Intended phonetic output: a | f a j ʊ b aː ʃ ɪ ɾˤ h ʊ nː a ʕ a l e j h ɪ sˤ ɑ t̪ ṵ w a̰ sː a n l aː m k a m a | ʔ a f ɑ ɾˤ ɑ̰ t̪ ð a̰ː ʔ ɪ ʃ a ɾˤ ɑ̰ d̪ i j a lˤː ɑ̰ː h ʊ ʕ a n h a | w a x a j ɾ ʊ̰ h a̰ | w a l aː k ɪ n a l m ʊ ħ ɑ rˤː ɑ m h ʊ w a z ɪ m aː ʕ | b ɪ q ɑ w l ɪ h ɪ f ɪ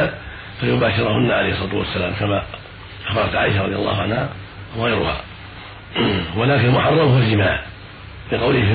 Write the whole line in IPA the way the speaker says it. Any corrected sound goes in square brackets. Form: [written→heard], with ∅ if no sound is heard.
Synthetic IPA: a | f a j ʊ b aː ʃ ɪ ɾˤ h ʊ nː a ʕ a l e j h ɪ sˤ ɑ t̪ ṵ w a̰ sː a [n→∅] l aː m k a m a | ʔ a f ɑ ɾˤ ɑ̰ t̪ [ð→ʕ] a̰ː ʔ ɪ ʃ a ɾˤ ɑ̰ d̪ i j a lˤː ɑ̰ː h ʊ ʕ a n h a | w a [x→ɣ] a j ɾ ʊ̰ h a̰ | w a l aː k ɪ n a l m ʊ ħ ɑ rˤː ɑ m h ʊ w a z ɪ m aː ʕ | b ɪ q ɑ w l ɪ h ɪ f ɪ